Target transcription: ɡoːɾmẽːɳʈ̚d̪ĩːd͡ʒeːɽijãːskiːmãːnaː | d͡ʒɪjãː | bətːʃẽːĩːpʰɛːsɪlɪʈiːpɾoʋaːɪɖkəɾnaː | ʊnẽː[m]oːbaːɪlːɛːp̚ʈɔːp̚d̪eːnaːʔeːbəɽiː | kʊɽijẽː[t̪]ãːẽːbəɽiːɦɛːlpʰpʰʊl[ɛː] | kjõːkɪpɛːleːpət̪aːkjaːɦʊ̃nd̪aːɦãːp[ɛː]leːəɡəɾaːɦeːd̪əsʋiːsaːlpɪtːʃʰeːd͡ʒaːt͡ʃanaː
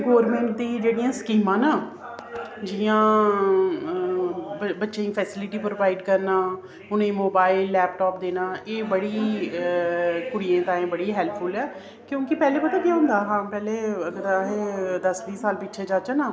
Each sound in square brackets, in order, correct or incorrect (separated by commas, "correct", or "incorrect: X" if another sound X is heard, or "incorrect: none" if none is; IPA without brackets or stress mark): correct, correct, correct, correct